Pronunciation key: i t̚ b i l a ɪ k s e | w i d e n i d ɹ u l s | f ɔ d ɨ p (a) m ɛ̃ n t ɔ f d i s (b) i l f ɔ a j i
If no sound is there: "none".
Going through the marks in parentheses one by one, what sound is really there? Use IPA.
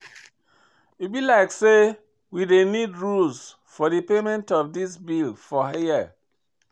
e, b

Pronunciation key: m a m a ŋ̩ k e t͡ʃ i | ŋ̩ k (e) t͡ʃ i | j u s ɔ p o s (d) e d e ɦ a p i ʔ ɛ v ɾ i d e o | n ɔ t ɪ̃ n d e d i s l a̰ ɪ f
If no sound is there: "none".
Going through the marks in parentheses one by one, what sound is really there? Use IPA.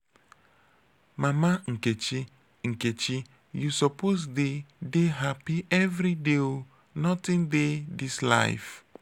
e, d

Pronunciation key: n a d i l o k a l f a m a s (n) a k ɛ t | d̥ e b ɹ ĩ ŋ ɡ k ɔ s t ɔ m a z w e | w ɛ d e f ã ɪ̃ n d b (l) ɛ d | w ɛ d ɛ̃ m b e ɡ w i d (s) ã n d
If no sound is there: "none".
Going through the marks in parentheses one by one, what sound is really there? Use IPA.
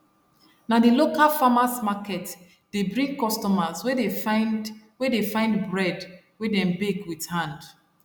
m, ɹ, h

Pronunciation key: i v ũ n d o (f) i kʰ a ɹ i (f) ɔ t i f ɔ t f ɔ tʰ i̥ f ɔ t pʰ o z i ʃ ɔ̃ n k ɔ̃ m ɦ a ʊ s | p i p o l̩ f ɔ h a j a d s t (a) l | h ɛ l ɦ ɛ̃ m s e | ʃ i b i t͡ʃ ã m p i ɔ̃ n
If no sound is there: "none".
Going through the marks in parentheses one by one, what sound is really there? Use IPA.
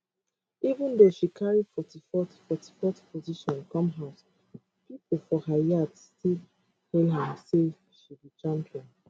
ʃ, f, i

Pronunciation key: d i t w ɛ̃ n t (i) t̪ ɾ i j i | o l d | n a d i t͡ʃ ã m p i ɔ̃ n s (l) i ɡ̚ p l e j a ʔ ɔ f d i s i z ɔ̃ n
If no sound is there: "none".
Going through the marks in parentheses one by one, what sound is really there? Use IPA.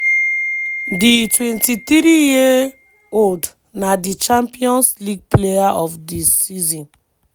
i, l

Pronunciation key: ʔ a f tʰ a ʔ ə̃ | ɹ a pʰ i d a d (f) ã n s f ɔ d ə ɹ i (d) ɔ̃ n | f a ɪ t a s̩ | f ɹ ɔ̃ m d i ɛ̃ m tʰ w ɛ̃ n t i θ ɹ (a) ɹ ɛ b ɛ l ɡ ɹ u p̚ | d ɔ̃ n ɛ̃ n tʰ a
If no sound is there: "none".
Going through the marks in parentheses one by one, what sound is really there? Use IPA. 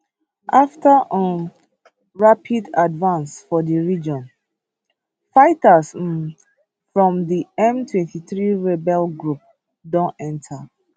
v, d͡ʒ, i

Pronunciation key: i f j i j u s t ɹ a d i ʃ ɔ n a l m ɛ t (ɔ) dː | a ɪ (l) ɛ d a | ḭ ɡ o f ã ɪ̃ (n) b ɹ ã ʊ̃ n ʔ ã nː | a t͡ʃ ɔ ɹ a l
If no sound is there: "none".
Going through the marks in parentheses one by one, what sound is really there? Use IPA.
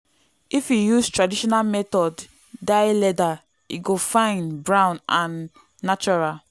ɔ, l, n

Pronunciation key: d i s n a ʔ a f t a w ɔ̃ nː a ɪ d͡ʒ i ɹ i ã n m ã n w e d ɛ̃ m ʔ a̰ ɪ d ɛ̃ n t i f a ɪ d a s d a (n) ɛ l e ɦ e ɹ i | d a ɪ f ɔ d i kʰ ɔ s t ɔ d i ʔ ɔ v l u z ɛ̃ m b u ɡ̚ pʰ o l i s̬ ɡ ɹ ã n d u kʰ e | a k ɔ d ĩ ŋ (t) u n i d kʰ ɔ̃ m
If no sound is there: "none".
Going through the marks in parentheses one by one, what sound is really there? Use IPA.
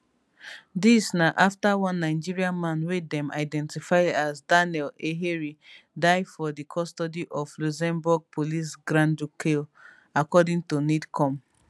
n, t

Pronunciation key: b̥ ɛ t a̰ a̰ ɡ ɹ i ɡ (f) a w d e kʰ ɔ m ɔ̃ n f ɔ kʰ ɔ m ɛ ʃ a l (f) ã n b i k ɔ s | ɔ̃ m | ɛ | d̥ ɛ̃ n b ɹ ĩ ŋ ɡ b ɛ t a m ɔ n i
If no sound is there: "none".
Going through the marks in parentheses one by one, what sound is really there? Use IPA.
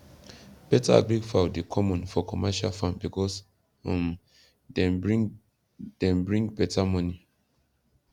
f, f

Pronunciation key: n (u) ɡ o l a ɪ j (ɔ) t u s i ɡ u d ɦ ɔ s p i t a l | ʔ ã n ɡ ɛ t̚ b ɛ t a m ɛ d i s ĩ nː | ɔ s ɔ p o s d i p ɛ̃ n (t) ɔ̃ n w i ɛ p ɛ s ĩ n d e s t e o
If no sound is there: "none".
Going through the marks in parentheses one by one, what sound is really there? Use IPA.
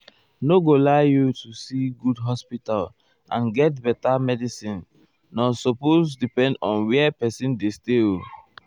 o, u, d

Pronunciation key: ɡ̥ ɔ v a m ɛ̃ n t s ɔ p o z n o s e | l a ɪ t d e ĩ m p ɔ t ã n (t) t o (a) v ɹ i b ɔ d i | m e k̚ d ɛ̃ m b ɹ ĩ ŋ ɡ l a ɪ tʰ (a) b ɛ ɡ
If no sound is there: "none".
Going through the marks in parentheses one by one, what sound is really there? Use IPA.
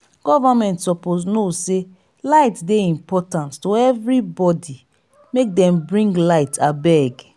t, ɛ, a

